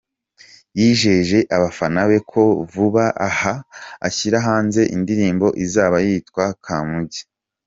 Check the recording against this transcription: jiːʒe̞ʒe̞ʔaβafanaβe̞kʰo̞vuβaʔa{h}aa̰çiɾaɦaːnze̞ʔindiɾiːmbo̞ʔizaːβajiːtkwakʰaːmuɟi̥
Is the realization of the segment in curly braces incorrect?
no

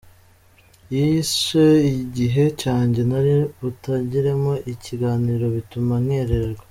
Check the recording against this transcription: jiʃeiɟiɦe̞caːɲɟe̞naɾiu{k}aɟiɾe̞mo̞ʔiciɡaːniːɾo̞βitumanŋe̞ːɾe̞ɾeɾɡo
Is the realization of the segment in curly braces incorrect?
yes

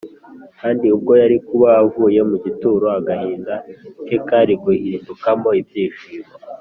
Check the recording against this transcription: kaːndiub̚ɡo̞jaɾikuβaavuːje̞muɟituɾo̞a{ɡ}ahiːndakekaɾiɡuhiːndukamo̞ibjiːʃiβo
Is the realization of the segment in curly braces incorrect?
no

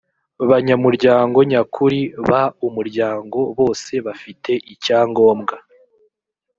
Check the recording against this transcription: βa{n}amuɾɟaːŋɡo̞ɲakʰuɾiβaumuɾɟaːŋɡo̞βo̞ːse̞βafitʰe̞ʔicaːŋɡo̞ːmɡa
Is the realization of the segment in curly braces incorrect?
yes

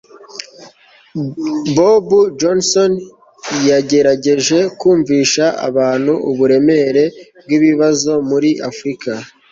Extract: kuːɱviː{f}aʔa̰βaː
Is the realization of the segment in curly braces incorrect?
yes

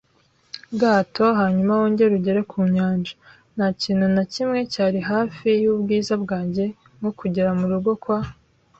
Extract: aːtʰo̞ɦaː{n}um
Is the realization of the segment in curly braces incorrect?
yes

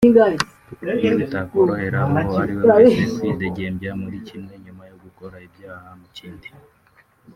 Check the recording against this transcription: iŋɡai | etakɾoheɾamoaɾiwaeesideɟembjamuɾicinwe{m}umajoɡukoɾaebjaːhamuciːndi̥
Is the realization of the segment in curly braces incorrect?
yes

